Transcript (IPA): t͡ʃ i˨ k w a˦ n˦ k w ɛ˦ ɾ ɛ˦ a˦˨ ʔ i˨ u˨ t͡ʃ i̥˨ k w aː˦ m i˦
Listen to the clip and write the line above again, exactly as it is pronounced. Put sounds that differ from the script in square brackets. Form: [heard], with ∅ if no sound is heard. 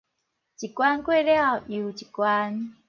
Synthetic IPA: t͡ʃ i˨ k w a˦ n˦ k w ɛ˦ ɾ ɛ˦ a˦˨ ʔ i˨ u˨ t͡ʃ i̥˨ k w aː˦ [n] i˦